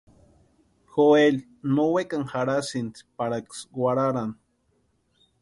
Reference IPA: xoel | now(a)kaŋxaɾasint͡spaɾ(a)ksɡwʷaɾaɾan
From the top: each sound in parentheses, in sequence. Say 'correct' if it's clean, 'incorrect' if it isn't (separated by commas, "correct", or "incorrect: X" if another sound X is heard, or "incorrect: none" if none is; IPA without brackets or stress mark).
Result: incorrect: e, correct